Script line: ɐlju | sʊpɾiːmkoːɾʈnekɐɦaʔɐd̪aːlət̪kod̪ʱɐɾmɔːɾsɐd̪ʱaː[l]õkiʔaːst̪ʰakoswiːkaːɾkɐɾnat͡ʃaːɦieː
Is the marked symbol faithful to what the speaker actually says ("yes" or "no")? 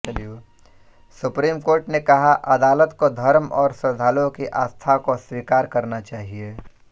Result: yes